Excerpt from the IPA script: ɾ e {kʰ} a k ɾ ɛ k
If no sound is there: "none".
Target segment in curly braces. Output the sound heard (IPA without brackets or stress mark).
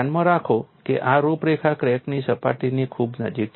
kʰ